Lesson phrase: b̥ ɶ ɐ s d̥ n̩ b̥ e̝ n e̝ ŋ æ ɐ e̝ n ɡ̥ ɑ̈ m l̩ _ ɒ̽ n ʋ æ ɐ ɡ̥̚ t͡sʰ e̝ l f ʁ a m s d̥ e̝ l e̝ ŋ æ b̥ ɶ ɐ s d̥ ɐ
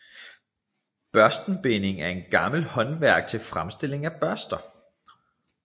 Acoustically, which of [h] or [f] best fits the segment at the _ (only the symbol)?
h